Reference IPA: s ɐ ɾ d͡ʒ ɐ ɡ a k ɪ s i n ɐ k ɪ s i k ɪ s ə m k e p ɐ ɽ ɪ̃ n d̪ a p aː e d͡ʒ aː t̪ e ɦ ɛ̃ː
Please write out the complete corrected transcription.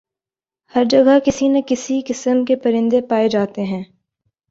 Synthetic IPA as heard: h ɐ ɾ d͡ʒ ɐ ɡ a k ɪ s i n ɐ k ɪ s i k ɪ s ə m k e p ɐ ɾ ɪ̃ n d̪ e p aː e d͡ʒ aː t̪ e ɦ ɛ̃ː